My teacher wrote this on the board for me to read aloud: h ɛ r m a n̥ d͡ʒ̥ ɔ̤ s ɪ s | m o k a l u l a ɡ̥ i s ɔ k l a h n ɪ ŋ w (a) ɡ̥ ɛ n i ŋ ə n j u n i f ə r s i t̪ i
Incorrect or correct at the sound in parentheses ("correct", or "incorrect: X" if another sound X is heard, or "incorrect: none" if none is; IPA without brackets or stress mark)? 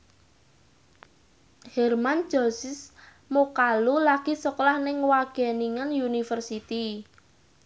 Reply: correct